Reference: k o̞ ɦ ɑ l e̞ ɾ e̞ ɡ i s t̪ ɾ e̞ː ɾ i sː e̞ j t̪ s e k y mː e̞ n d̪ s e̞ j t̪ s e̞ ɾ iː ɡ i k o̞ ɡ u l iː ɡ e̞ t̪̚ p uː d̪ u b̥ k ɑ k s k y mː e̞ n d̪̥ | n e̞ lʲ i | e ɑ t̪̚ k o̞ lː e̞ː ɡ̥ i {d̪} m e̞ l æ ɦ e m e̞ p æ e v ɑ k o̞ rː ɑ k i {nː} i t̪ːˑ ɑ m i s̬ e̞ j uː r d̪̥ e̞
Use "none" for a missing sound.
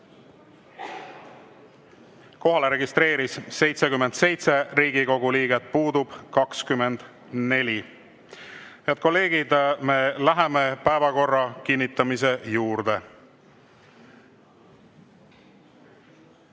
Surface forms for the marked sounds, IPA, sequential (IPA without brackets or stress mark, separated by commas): d̪, nː